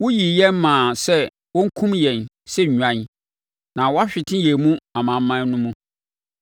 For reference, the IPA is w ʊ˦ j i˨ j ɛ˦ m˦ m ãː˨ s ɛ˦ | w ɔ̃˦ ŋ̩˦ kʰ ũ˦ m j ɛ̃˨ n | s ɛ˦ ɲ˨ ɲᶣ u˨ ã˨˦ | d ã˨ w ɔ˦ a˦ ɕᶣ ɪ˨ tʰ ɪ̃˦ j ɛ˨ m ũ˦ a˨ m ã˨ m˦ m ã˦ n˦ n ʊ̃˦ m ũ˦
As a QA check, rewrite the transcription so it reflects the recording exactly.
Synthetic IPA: w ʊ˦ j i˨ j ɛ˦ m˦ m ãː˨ s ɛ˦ | w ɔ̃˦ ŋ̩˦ kʰ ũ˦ m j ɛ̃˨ n | s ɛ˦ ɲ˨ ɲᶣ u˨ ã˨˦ | n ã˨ w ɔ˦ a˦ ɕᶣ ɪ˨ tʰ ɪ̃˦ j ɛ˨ m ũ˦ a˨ m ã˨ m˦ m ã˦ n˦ n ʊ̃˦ m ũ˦